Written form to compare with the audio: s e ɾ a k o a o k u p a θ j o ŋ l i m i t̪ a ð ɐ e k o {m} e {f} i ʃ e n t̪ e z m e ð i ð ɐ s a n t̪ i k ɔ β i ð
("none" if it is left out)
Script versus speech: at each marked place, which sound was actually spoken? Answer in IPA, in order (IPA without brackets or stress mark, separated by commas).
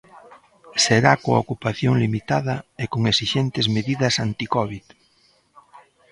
ŋ, s